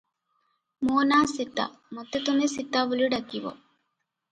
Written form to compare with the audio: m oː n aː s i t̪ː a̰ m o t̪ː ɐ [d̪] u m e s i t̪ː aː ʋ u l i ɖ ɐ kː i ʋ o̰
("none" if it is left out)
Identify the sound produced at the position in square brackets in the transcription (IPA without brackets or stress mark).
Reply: t̪